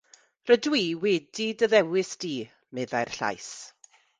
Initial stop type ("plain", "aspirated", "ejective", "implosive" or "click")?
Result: plain